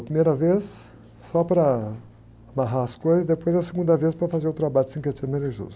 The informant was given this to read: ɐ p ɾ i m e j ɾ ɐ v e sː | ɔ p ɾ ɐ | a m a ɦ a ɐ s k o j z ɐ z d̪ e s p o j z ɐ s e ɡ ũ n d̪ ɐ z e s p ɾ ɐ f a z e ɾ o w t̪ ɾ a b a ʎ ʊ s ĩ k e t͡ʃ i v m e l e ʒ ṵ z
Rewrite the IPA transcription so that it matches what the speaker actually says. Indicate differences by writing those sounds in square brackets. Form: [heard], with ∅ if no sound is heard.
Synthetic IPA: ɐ p ɾ i m e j ɾ ɐ v e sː | ɔ p ɾ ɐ | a m a ɦ a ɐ s k o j z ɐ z d̪ e [∅] p o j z ɐ s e ɡ ũ n d̪ ɐ [v] e s p ɾ ɐ f a z e ɾ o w t̪ ɾ a b a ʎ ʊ s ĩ k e t͡ʃ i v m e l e ʒ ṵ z

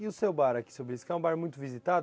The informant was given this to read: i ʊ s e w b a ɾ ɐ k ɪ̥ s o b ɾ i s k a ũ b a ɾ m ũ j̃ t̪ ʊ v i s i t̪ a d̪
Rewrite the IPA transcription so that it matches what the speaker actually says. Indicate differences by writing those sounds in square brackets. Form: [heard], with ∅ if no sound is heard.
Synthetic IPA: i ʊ s e w b a ɾ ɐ k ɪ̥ s o b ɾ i s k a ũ b a ɾ m ũ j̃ t̪ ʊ v i [z] i t̪ a d̪

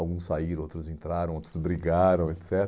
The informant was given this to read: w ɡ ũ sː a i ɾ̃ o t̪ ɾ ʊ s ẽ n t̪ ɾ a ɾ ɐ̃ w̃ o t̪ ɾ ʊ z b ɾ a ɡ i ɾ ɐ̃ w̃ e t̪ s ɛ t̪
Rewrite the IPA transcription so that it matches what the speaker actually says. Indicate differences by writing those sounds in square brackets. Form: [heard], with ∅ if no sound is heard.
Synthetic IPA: w ɡ ũ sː a i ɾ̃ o t̪ ɾ ʊ [z] ẽ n t̪ ɾ a ɾ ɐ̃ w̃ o t̪ ɾ ʊ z b ɾ [i] ɡ [a] ɾ ɐ̃ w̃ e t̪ s ɛ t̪

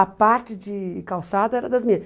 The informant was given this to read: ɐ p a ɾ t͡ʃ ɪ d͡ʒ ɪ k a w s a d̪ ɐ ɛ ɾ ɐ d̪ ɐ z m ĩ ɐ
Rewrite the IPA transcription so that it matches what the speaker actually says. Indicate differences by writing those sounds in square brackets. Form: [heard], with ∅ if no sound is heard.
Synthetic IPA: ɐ p a ɾ t͡ʃ ɪ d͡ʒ ɪ k a w s a d̪ ɐ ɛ ɾ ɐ d̪ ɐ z m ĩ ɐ

